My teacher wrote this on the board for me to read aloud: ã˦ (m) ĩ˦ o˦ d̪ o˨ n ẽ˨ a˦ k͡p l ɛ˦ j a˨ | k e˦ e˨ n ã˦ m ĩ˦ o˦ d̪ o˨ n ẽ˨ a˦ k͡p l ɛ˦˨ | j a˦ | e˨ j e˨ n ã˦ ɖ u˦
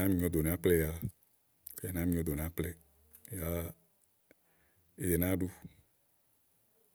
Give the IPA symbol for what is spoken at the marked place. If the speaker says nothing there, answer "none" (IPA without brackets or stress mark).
m